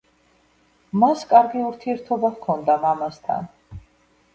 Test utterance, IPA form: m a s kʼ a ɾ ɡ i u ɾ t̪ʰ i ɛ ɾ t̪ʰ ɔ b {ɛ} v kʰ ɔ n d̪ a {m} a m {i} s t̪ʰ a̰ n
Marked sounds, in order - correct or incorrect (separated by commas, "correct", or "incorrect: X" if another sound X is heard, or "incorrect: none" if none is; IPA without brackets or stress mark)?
incorrect: a, correct, incorrect: a